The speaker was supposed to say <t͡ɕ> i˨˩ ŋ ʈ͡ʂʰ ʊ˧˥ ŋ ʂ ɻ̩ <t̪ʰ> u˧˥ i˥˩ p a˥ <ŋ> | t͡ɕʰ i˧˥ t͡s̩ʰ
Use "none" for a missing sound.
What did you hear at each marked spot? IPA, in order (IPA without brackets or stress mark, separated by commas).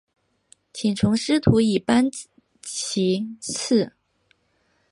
t͡ɕʰ, t̪ʰ, n